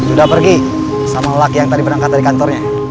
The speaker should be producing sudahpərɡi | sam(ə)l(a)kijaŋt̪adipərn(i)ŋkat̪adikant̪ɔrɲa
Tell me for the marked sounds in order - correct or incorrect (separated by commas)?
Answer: incorrect, correct, incorrect